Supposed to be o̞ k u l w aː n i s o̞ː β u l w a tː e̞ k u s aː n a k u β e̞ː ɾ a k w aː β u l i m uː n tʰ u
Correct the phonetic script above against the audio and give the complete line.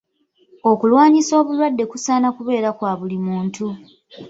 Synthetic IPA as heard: o̞ k u l w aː ɲ i s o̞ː β u l w a dː e̞ k u s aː n a k u β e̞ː ɾ a k w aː β u l i m uː n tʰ u